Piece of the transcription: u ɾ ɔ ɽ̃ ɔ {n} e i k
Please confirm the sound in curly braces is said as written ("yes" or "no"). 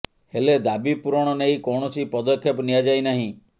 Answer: yes